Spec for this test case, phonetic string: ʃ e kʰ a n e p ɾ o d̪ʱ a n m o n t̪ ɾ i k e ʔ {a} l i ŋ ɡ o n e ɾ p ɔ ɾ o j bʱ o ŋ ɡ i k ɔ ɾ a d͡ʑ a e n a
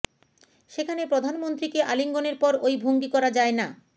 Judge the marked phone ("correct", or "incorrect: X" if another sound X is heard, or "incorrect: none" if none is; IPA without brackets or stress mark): correct